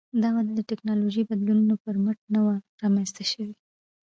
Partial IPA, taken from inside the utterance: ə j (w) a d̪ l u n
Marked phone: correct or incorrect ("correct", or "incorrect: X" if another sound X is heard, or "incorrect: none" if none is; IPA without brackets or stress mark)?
incorrect: b